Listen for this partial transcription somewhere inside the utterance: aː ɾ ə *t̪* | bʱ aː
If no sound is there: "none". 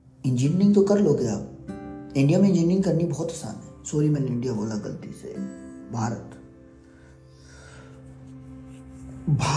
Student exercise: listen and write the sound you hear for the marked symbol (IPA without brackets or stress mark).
t̪